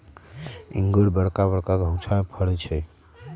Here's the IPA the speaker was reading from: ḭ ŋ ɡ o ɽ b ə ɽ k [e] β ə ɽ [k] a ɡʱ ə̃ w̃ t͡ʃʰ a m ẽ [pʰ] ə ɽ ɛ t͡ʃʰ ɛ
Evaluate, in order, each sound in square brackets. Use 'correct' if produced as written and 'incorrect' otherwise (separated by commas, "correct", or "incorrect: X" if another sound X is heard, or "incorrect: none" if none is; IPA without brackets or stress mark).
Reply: incorrect: a, correct, correct